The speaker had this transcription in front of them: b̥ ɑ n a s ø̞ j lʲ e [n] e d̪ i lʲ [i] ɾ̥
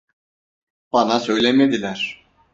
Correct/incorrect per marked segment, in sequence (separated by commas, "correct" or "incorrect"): incorrect, incorrect